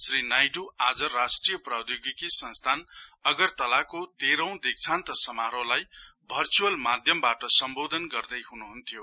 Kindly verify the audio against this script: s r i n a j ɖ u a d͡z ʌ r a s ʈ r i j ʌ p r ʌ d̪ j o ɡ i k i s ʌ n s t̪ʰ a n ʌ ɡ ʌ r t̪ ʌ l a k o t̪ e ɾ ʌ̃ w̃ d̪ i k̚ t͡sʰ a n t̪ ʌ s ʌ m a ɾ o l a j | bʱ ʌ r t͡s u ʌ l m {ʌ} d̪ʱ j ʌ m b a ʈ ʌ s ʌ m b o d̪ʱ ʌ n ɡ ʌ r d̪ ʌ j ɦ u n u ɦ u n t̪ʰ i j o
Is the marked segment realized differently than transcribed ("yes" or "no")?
yes